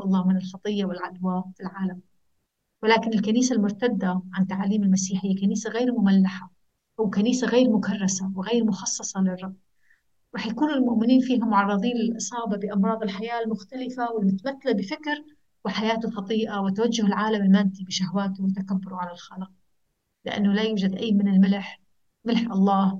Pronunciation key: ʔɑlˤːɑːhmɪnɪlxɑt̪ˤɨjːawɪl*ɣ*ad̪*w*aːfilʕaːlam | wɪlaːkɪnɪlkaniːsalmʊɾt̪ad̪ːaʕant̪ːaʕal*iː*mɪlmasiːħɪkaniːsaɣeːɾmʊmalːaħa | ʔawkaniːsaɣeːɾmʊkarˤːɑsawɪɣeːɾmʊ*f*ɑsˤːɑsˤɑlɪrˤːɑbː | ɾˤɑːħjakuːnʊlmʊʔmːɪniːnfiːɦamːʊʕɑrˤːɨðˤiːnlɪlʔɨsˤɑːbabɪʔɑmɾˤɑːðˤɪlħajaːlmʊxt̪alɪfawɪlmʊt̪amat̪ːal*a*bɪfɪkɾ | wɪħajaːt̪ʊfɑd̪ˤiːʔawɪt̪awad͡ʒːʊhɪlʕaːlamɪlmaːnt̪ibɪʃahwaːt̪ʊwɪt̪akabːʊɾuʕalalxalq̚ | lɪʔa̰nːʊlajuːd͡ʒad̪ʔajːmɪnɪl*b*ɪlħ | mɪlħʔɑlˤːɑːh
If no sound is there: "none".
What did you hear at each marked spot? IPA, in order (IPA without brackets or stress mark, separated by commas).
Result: ʕ, w, iː, x, a, m